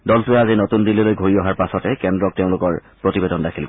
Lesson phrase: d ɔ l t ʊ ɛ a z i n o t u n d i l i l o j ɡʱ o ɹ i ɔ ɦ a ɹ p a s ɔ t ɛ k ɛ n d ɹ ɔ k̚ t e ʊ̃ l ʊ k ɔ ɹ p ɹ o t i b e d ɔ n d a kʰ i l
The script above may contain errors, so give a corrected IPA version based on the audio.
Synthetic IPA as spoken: d ɔ l t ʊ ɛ a z i n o t u n d i l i l o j ɡʱ o ɹ i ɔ ɦ a ɹ p a s ɔ t ɛ k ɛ n d ɹ ɔ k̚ t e ʊ̃ l ʊ k ɔ ɹ p ɹ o t i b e d ɔ n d a kʰ i l